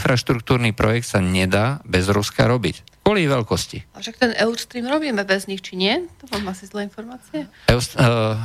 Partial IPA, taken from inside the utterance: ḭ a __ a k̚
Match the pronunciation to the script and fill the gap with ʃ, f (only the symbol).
ʃ